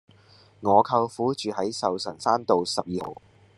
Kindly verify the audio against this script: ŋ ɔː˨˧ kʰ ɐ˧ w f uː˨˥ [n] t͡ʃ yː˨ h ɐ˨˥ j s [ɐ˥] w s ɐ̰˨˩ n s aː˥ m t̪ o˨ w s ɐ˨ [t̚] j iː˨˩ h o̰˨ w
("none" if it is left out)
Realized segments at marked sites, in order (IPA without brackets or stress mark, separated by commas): none, ɐ˨, p̚